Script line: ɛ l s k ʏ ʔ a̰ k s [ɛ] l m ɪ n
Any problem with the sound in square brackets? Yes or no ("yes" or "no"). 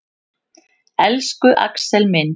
no